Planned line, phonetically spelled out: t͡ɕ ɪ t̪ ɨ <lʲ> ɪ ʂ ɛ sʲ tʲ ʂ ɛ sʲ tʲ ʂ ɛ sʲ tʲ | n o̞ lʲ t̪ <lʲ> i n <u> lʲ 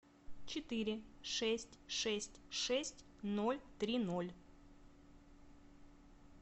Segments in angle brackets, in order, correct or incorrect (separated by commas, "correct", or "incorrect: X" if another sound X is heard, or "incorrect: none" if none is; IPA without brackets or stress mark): incorrect: ɾʲ, incorrect: ɾʲ, incorrect: o